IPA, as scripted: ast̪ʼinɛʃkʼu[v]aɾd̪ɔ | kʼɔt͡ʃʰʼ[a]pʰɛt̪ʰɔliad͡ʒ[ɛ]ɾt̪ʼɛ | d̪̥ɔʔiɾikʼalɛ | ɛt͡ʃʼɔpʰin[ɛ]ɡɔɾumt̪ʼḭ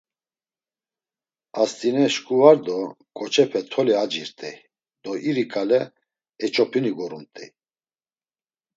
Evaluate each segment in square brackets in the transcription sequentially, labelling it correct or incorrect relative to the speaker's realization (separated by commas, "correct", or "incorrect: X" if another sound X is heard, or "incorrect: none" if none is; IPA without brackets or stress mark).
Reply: correct, incorrect: ɛ, incorrect: i, incorrect: i